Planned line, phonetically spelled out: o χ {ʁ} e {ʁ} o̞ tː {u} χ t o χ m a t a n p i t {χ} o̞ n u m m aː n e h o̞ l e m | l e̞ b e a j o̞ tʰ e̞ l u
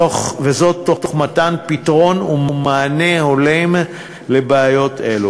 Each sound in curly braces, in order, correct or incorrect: incorrect: v, incorrect: z, incorrect: o, incorrect: ʁ

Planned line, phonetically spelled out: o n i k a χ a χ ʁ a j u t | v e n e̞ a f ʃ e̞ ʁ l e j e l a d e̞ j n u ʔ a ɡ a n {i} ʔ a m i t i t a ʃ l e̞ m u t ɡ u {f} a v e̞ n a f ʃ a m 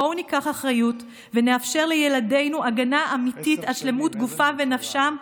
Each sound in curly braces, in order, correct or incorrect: incorrect: a, correct

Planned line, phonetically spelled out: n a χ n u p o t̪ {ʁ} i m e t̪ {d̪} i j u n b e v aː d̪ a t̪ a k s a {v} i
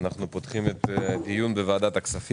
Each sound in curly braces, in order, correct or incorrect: incorrect: χ, correct, incorrect: f

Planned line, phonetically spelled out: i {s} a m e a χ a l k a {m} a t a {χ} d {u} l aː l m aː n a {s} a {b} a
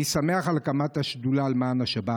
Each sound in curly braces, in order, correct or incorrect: correct, correct, incorrect: ʃ, correct, incorrect: ʃ, correct

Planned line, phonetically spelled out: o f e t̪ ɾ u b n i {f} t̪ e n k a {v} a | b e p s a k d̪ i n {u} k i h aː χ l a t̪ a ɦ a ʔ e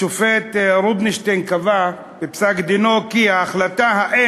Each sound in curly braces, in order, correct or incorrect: incorrect: ʃ, correct, incorrect: o

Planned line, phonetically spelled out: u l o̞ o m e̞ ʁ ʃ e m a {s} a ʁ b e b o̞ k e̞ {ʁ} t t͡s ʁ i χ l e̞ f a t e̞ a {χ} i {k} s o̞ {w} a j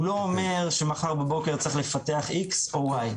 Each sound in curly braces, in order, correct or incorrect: incorrect: χ, correct, correct, correct, correct

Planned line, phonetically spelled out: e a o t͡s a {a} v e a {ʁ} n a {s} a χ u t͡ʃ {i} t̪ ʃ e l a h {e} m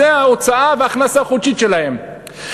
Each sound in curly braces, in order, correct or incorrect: correct, incorrect: χ, correct, correct, correct

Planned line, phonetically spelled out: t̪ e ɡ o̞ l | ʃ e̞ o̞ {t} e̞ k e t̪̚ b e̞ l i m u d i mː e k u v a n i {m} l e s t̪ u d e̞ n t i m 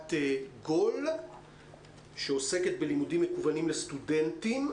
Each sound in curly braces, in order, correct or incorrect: incorrect: s, correct

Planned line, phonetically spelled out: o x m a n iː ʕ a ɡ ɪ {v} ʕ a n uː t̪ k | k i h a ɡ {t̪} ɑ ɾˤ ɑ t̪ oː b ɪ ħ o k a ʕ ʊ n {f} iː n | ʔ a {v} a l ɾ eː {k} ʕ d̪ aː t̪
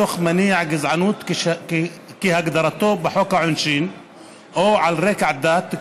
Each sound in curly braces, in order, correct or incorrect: incorrect: z, incorrect: d̪, incorrect: ʃ, incorrect: ʕ, correct

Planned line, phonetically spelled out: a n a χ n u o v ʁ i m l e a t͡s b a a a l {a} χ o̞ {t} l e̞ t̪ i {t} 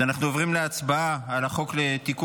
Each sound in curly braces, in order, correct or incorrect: correct, incorrect: k, incorrect: k

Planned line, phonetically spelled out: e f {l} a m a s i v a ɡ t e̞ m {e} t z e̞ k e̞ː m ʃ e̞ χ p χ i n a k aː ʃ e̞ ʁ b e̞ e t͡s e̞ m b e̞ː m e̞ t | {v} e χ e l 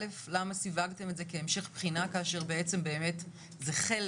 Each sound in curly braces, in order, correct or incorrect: correct, correct, incorrect: z

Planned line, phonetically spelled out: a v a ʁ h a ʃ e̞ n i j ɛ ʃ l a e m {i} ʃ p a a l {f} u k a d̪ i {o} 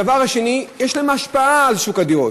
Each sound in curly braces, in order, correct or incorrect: incorrect: a, incorrect: ʃ, correct

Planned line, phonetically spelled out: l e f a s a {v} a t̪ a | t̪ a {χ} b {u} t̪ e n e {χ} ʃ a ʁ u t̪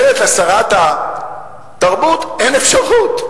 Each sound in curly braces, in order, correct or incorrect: incorrect: ʁ, incorrect: ʁ, correct, incorrect: f

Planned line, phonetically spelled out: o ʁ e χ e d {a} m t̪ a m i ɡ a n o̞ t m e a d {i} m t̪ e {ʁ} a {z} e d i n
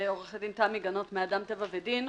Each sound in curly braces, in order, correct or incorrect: incorrect: i, incorrect: a, incorrect: v, incorrect: v

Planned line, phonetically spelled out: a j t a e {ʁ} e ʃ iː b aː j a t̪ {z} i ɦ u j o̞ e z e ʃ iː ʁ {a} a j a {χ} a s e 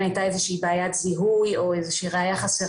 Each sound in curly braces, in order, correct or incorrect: incorrect: z, correct, incorrect: e, correct

